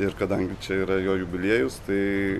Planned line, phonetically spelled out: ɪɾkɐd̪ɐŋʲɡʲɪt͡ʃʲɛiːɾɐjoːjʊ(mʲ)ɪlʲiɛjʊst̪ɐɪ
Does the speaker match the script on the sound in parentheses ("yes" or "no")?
no